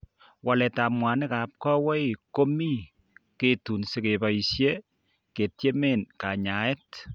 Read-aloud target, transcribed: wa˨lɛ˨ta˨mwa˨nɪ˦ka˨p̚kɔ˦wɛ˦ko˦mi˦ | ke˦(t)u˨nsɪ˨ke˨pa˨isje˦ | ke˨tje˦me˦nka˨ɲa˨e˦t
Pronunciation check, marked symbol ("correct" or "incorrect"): correct